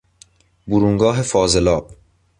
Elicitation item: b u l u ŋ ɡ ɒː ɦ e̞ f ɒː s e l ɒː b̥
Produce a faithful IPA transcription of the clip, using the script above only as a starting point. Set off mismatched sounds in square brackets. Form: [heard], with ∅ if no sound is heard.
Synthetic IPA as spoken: b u [ɾ] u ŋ ɡ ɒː ɦ e̞ f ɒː [z] e l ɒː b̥